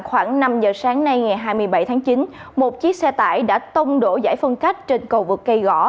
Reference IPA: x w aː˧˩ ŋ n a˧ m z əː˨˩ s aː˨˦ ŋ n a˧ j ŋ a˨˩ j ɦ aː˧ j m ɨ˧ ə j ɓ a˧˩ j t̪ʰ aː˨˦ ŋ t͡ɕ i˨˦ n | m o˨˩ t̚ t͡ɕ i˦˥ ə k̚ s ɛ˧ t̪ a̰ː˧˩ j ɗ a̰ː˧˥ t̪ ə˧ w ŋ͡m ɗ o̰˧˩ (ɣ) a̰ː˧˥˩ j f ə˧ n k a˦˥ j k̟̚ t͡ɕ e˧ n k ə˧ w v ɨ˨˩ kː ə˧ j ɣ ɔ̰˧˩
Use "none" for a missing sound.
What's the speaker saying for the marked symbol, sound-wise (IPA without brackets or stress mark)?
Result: z